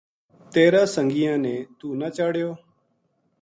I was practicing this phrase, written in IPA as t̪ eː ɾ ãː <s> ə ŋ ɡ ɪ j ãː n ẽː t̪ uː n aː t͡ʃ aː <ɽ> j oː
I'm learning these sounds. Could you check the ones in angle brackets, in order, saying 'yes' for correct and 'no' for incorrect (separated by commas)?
yes, yes